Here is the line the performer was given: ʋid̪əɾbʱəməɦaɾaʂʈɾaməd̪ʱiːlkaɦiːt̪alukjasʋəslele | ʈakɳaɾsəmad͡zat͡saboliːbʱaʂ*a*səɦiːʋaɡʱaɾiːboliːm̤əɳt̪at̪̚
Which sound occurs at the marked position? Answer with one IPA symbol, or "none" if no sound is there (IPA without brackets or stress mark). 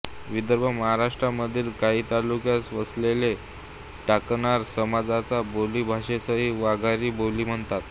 e